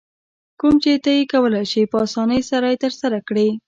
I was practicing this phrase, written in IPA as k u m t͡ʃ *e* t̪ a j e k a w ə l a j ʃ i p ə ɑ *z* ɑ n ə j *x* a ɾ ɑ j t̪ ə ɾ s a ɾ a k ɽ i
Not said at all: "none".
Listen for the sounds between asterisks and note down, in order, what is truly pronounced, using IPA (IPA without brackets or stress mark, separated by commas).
e, s, s